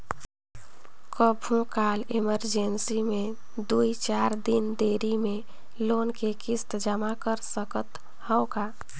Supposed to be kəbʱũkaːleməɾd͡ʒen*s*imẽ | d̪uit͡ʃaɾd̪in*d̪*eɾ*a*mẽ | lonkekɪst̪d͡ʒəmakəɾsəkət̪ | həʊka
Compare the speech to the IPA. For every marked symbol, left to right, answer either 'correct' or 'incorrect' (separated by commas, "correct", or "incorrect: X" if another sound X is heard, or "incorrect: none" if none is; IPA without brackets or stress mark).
correct, correct, incorrect: i